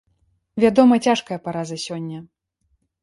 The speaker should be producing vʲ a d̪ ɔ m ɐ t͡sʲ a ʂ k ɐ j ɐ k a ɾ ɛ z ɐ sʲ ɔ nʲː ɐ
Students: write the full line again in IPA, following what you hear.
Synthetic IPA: vʲ a d̪ ɔ m ɐ t͡sʲ a ʂ k ɐ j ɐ p a ɾ a z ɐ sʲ ɔ nʲː ɐ